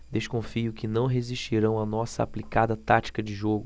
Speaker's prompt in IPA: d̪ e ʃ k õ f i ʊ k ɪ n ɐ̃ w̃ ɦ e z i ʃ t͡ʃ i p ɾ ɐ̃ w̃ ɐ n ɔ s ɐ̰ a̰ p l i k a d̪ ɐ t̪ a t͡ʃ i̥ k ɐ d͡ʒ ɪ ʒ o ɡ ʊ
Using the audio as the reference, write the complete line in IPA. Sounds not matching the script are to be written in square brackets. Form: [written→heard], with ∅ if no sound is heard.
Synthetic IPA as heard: d̪ e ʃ k õ f i ʊ k ɪ n ɐ̃ w̃ ɦ e z i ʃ t͡ʃ i [p→∅] ɾ ɐ̃ w̃ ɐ n ɔ s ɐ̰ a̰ p l i k a d̪ ɐ t̪ a t͡ʃ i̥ k ɐ d͡ʒ ɪ ʒ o ɡ ʊ